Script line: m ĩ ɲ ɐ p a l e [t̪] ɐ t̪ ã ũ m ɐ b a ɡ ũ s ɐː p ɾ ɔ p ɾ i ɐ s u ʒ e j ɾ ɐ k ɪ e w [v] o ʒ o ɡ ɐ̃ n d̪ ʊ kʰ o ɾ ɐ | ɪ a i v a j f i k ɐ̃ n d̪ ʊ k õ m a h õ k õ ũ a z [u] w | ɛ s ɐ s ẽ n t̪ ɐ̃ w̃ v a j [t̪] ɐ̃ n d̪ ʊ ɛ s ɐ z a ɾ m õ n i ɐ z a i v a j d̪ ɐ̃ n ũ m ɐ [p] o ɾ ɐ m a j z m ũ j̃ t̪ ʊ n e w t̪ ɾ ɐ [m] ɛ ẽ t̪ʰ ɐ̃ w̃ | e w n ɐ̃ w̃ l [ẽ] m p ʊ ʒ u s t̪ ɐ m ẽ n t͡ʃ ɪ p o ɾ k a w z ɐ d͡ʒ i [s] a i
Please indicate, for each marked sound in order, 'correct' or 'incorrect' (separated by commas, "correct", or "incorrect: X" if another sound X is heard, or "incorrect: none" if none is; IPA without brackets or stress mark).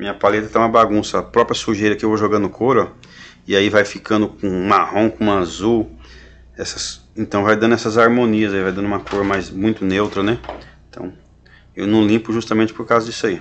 correct, correct, correct, incorrect: d̪, incorrect: k, incorrect: n, incorrect: ĩ, correct